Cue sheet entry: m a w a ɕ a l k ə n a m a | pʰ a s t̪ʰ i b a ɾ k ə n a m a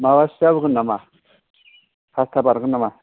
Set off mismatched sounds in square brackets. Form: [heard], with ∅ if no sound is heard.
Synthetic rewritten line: m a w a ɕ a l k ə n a m a | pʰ a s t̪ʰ [a] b a ɾ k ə n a m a